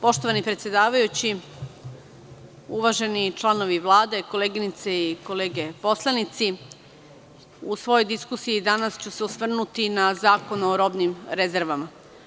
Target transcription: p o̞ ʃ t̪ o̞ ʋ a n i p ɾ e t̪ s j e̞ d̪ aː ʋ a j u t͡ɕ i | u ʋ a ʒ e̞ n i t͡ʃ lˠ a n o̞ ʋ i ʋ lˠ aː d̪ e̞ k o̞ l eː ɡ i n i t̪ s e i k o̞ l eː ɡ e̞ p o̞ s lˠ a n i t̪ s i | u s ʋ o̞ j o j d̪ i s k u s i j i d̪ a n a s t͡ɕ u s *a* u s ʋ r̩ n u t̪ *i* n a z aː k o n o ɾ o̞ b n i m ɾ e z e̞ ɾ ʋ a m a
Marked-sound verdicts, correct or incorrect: incorrect: e, correct

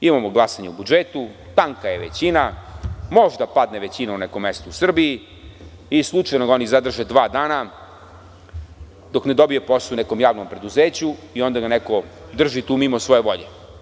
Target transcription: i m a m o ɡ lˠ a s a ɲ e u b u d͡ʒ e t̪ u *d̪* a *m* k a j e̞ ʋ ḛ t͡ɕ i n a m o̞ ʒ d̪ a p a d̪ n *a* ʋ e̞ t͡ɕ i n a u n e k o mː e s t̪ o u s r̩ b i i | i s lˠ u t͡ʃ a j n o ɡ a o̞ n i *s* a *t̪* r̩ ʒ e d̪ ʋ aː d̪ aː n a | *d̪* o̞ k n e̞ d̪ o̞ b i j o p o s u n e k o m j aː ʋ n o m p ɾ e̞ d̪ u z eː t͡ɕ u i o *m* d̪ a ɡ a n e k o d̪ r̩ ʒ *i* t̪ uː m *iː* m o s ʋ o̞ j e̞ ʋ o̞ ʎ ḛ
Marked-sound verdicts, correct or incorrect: incorrect: t̪, incorrect: ŋ, incorrect: e, incorrect: z, incorrect: d̪, correct, incorrect: n, correct, incorrect: i

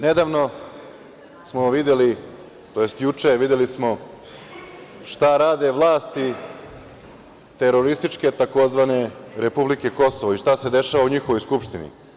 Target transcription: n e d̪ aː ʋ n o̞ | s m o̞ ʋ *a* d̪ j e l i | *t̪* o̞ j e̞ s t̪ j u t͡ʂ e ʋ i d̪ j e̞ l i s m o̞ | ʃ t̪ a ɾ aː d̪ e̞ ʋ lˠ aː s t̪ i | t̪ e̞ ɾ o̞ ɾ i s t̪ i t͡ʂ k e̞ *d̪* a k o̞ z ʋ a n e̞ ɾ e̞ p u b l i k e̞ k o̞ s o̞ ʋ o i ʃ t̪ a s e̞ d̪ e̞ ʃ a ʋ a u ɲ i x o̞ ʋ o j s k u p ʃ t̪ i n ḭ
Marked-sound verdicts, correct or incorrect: incorrect: i, correct, incorrect: t̪

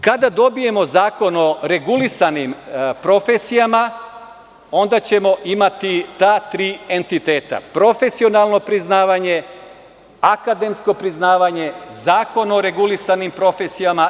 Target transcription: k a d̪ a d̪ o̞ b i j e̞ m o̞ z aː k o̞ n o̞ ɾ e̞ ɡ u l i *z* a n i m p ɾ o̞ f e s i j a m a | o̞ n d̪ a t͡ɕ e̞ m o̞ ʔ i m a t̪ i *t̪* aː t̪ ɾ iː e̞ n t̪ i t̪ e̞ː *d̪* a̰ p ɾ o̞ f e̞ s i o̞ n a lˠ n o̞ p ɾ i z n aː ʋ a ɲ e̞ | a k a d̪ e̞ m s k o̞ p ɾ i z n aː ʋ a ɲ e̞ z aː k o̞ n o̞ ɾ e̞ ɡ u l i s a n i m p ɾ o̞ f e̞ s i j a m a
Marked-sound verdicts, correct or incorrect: incorrect: s, correct, incorrect: t̪

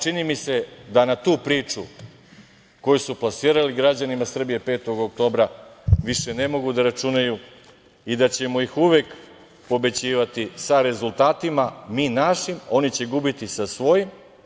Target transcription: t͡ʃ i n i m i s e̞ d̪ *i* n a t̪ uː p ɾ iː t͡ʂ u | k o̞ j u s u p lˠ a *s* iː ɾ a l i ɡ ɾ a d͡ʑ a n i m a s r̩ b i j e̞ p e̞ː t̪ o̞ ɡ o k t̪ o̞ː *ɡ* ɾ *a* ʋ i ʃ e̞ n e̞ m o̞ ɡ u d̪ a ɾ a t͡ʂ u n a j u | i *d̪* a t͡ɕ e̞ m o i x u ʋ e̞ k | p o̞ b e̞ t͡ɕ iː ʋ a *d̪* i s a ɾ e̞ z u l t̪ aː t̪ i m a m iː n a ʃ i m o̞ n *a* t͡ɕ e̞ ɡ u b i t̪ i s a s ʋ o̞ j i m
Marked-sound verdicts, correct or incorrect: incorrect: a, correct, incorrect: b, correct, correct, incorrect: t̪, incorrect: i

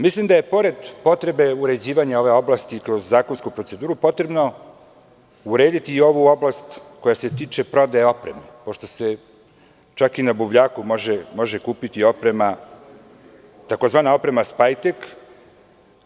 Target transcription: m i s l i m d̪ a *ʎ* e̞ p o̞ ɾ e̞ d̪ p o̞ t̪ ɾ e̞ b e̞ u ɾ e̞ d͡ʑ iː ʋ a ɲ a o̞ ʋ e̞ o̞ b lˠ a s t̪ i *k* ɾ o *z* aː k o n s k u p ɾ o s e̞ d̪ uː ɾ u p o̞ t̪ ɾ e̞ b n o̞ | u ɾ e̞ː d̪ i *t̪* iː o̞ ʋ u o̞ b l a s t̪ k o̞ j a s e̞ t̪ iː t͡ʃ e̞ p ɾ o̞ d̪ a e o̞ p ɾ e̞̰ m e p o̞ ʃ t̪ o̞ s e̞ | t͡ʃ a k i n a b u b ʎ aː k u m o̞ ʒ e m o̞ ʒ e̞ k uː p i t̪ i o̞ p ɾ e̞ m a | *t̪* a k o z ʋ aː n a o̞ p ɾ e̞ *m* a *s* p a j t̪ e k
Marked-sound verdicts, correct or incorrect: incorrect: j, correct, incorrect: zː, correct, correct, correct, correct

